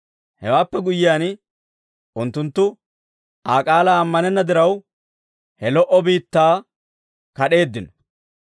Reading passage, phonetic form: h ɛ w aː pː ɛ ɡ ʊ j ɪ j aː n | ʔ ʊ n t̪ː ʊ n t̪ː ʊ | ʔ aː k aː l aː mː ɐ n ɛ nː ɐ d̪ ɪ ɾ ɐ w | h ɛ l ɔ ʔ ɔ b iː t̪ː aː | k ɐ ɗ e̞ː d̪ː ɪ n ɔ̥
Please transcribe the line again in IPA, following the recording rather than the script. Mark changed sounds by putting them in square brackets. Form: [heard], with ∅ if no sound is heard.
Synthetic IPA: h ɛ w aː pː ɛ ɡ ʊ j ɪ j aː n | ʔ ʊ n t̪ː ʊ n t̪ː ʊ | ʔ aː [kʼ] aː l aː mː ɐ n ɛ nː ɐ d̪ ɪ ɾ ɐ w | h ɛ l ɔ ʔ ɔ b iː t̪ː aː | k ɐ ɗ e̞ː d̪ː ɪ n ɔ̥